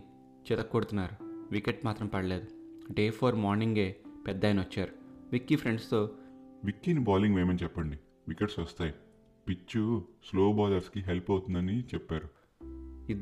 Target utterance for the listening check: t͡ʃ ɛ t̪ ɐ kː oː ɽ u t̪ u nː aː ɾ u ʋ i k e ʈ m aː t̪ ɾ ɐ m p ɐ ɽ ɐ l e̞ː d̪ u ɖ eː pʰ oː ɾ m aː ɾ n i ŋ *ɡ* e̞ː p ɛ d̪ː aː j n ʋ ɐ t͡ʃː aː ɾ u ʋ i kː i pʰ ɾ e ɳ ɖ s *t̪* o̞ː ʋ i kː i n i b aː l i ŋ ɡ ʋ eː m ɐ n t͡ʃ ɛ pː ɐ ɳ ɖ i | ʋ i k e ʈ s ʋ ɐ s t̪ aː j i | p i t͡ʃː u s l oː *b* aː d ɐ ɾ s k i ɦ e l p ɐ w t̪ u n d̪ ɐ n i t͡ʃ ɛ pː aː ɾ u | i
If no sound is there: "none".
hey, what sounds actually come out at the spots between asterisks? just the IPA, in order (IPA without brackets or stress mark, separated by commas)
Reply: ɡ, t̪, b